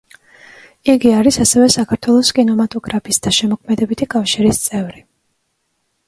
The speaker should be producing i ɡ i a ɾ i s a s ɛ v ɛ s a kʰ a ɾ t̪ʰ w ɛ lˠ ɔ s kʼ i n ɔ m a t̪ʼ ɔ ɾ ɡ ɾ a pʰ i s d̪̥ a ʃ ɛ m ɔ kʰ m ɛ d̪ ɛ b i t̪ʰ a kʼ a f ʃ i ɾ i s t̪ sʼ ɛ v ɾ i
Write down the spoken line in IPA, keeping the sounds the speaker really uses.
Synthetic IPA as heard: i ɡ i a ɾ i s a s ɛ v ɛ s a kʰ a ɾ t̪ʰ w ɛ lˠ ɔ s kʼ i n ɔ m a t̪ʼ ɔ ɡ ɾ a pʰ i s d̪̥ a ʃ ɛ m ɔ kʰ m ɛ d̪ ɛ b i t̪ʰ i kʼ a f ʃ i ɾ i s t̪ sʼ ɛ v ɾ i